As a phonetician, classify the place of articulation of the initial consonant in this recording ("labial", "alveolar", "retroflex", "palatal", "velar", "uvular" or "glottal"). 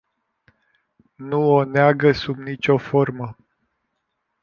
alveolar